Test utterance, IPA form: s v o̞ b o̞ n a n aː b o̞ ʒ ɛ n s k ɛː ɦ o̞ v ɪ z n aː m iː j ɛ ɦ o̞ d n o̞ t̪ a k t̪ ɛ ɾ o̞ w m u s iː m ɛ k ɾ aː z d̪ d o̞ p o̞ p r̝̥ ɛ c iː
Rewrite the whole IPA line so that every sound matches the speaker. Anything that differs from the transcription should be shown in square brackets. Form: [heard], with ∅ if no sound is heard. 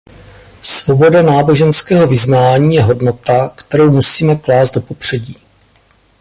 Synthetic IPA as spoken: s v o̞ b o̞ [d] a n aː b o̞ ʒ ɛ n s k ɛː ɦ o̞ v ɪ z n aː [ɲ] iː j ɛ ɦ o̞ d n o̞ t̪ a k t̪ ɛ ɾ o̞ w m u s iː m ɛ k [l] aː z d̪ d o̞ p o̞ p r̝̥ ɛ [ɟ] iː